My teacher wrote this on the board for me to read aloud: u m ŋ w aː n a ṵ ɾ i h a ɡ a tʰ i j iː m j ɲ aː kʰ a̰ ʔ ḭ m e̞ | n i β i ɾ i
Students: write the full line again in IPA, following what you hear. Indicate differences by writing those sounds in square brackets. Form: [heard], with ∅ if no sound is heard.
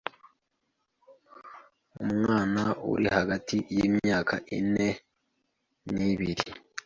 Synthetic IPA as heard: u m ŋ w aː n a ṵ ɾ i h a ɡ a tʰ i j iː m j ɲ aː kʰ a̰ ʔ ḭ [n] e̞ | n i β i ɾ i